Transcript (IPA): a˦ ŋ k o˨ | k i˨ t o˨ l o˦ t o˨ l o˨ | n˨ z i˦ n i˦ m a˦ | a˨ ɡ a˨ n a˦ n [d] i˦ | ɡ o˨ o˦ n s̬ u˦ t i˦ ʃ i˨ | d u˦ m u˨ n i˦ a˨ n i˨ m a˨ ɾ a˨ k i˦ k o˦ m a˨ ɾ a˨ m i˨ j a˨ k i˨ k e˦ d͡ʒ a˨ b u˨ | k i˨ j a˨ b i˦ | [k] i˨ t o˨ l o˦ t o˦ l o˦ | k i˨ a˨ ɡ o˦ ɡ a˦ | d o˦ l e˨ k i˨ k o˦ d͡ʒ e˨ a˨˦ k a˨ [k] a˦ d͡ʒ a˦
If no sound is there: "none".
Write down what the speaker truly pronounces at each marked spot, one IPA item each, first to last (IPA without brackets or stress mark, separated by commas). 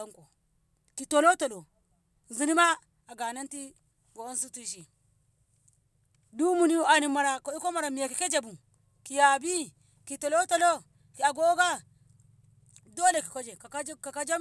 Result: t, k, k